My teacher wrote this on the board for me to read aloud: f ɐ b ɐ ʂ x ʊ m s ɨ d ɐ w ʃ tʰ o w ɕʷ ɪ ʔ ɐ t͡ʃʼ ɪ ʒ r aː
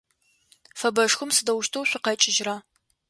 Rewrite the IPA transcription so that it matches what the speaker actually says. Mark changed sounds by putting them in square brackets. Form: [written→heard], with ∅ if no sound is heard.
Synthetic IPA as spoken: f ɐ b ɐ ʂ x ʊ m s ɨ d ɐ w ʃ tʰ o w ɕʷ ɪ [ʔ→q] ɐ t͡ʃʼ ɪ ʒ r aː